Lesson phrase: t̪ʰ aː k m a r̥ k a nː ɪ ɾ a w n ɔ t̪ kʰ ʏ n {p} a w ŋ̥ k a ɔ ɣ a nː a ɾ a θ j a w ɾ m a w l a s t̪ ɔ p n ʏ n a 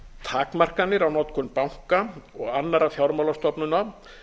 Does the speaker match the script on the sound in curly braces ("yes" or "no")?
yes